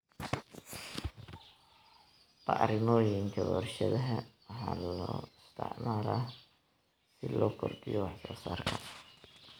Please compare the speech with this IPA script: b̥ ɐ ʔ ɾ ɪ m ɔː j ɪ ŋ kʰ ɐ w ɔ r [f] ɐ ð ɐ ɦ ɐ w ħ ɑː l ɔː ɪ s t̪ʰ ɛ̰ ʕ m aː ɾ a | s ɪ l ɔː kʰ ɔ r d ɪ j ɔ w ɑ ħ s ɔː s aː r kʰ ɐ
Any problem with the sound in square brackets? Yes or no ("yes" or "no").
yes